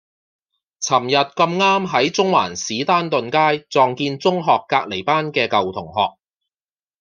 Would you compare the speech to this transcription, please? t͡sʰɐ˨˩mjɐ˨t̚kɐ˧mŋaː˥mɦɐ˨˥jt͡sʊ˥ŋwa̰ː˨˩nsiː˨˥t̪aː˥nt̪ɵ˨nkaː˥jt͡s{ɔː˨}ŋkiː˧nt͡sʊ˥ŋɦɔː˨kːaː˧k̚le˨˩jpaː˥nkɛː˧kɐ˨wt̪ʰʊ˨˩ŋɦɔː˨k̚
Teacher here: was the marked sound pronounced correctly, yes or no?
yes